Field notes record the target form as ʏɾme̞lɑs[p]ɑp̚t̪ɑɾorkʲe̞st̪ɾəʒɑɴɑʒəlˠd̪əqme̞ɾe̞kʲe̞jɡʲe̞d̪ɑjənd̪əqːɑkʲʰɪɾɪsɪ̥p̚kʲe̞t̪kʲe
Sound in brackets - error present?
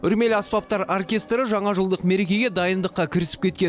no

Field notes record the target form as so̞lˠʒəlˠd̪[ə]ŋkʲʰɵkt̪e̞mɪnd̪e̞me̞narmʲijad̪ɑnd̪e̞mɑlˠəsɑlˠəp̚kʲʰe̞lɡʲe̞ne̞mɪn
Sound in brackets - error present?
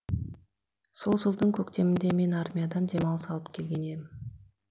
no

